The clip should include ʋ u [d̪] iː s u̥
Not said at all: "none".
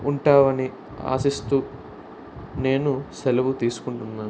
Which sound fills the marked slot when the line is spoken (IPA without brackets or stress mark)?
t̪